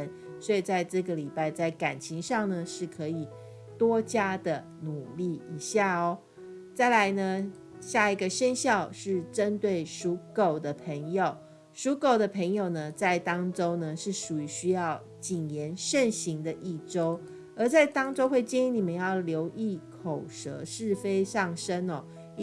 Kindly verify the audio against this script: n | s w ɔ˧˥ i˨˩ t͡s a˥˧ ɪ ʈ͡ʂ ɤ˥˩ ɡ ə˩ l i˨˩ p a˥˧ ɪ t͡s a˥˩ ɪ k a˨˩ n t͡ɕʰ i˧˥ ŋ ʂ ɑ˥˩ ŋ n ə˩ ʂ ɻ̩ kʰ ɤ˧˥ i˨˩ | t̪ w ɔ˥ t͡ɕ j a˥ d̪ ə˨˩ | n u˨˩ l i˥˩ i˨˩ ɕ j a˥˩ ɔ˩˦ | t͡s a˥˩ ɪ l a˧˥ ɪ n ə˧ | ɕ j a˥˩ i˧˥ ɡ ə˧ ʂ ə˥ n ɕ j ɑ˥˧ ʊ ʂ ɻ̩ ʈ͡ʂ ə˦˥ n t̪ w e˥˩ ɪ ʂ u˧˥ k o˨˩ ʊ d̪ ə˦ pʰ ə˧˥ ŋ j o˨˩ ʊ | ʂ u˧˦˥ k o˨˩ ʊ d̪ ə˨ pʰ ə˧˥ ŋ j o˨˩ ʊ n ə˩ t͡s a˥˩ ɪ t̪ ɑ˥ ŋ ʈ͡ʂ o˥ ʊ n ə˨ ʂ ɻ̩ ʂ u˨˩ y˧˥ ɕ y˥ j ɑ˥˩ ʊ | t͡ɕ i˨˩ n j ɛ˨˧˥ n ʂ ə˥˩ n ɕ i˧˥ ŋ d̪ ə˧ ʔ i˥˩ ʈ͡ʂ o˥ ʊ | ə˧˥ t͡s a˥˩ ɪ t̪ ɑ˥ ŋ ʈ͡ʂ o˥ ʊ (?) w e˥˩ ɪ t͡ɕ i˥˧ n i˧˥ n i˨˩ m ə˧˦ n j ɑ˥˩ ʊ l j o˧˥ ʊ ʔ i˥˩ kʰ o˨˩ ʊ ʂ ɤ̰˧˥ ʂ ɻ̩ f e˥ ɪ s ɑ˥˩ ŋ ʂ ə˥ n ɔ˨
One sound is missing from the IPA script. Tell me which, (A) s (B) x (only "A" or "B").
B